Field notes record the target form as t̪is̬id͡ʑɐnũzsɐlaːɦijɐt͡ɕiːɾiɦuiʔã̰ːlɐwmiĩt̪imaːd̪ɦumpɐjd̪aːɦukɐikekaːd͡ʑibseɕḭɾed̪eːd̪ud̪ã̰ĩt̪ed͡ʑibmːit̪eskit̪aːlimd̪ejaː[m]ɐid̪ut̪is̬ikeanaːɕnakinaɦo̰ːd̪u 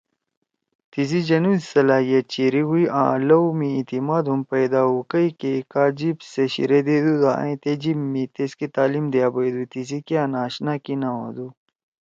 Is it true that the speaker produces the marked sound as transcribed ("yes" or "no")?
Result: no